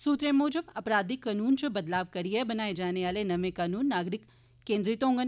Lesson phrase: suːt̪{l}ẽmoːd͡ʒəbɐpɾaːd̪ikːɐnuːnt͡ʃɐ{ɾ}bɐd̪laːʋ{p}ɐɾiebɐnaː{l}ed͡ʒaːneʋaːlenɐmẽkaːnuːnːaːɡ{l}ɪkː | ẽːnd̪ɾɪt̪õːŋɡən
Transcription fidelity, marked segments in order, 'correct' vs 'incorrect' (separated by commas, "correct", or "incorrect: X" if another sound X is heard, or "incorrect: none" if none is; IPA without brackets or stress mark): incorrect: ɾ, incorrect: none, incorrect: k, incorrect: none, incorrect: ɾ